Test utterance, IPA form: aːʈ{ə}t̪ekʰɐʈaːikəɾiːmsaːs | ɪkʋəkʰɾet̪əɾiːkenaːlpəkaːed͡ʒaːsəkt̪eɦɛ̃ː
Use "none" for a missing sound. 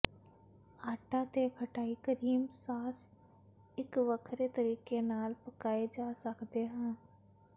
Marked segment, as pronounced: a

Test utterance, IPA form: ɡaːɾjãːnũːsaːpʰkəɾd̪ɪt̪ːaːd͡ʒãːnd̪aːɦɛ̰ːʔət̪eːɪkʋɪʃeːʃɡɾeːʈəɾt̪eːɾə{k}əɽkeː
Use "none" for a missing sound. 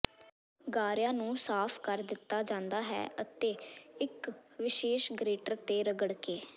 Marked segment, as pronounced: ɡ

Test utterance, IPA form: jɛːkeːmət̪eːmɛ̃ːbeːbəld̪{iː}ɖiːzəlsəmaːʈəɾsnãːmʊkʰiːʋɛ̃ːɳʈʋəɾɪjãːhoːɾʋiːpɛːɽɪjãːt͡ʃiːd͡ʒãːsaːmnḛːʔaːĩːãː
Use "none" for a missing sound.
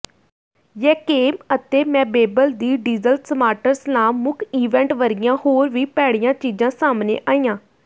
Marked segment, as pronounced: iː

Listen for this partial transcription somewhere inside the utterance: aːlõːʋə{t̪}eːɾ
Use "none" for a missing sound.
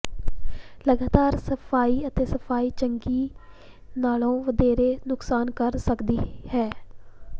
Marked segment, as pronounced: d̪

